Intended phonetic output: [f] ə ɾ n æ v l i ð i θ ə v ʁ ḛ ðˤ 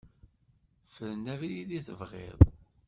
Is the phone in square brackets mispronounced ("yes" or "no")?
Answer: no